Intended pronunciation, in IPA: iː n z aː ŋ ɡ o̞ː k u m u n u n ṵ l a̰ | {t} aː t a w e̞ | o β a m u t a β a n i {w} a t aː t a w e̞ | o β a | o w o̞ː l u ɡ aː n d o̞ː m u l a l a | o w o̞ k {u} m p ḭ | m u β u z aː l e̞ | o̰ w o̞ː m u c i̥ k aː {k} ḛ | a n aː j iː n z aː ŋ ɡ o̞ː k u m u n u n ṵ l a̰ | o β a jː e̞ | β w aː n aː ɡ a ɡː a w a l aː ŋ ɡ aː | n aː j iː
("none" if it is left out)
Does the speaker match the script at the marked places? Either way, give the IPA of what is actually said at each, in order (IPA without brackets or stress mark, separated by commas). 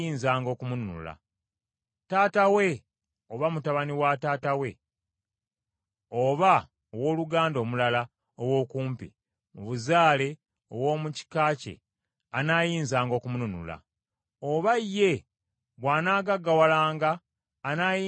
t, w, uː, c